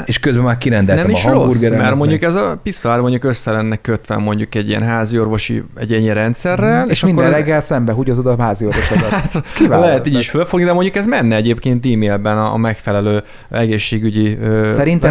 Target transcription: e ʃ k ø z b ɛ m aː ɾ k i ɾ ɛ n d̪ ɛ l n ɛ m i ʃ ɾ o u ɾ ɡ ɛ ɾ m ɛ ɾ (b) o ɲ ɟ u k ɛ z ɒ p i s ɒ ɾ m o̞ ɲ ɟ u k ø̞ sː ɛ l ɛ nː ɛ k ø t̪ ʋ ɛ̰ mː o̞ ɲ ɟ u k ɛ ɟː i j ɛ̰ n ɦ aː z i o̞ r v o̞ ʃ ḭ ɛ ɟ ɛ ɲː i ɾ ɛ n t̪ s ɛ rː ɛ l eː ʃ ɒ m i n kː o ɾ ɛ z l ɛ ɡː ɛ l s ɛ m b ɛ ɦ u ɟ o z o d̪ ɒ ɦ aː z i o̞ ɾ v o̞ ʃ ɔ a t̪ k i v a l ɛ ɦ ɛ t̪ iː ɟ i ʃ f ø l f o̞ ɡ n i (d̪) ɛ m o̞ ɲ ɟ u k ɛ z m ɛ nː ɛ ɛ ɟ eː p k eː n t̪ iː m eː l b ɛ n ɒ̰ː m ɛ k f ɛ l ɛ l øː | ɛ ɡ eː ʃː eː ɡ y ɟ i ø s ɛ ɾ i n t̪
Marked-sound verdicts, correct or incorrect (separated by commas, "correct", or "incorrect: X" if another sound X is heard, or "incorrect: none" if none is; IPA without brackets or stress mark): incorrect: m, correct